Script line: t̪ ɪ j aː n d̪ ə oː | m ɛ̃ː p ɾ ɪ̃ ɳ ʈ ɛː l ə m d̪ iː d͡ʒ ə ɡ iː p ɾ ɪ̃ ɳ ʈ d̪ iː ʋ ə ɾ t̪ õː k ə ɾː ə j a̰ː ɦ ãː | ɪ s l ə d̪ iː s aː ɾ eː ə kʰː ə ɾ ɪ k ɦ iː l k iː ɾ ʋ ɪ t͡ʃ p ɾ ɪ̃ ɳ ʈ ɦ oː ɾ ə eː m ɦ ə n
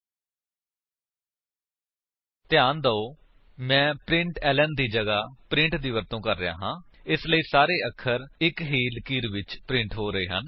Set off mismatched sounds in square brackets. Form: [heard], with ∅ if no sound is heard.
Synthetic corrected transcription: t̪ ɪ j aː n d̪ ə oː | m ɛ̃ː p ɾ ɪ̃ ɳ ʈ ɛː l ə [n] d̪ iː d͡ʒ ə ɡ [aː] p ɾ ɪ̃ ɳ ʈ d̪ iː ʋ ə ɾ t̪ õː k ə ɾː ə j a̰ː ɦ ãː | ɪ s l ə [∅] iː s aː ɾ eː ə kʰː ə ɾ ɪ k ɦ iː l k iː ɾ ʋ ɪ t͡ʃ p ɾ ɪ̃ ɳ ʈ ɦ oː ɾ ə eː [∅] ɦ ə n